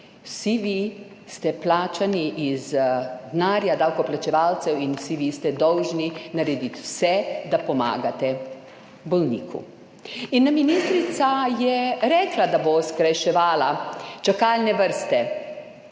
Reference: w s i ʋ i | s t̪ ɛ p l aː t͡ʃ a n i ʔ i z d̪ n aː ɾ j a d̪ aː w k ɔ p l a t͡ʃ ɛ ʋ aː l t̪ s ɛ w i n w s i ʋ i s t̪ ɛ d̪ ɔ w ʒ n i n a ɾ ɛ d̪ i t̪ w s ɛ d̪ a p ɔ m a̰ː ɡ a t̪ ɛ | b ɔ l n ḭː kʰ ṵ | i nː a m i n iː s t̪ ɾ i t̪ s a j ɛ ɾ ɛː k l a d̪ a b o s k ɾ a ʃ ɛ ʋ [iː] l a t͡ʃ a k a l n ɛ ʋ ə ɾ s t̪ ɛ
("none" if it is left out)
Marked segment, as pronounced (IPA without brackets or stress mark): aː